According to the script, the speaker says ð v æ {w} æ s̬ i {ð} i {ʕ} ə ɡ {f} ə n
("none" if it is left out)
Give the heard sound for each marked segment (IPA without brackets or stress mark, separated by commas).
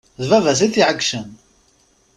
v, θ, ʕ, ʃ